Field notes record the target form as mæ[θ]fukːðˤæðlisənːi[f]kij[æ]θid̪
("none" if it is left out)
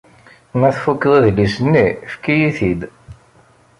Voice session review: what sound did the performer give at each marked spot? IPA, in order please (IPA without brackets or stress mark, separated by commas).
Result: θ, f, i